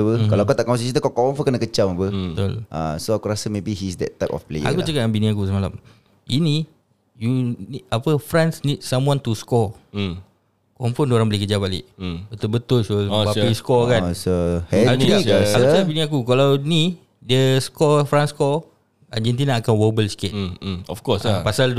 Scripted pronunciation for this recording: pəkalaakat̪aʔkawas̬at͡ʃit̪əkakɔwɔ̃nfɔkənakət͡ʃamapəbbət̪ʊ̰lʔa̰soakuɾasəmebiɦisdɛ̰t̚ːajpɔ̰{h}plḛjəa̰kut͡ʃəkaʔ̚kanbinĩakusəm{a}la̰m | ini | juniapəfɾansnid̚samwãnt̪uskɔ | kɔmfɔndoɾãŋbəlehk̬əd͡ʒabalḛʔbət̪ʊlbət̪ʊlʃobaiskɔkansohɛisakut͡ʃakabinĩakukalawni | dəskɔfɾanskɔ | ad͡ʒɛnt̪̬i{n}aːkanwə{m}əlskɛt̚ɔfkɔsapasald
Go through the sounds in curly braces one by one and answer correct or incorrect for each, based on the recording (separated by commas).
incorrect, correct, correct, incorrect